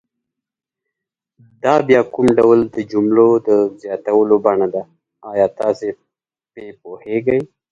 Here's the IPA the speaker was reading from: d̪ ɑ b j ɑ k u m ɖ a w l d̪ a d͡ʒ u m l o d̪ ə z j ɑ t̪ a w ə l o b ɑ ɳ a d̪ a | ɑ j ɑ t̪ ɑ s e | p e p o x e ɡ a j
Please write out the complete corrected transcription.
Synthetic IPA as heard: d̪ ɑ b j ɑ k u m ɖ a w l d̪ ə d͡ʒ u m l o d̪ ə z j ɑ t̪ a w ə l o b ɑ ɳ a d̪ a | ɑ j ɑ t̪ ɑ s e | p e p o h e ɡ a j